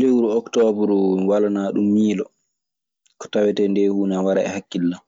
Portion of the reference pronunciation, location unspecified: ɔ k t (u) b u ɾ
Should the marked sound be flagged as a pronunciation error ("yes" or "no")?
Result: yes